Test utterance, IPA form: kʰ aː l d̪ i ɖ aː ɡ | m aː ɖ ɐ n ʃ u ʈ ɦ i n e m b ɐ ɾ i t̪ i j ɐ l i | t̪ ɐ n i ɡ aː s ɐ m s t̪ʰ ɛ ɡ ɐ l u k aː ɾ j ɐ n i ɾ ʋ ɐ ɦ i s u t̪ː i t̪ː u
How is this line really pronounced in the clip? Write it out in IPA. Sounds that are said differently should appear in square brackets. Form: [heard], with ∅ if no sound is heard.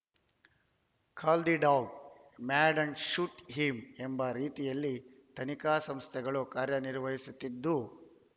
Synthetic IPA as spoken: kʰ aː l d̪ i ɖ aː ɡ | m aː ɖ ɐ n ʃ u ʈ ɦ i [m] e m b ɐ ɾ [iː] t̪ i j ɐ [lː] i | t̪ ɐ n i [k] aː s ɐ m s t̪ʰ ɛ ɡ ɐ [ɭ] u k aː ɾ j ɐ n i ɾ ʋ ɐ ɦ i s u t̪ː i [d̪ː] u